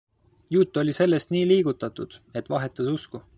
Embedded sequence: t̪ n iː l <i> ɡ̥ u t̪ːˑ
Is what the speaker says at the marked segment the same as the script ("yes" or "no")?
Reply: no